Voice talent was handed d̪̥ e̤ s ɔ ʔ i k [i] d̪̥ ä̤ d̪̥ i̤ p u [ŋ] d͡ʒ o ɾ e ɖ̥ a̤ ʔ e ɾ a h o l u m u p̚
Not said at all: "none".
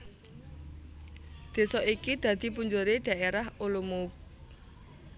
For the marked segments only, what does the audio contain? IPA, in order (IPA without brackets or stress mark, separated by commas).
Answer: i, ɲ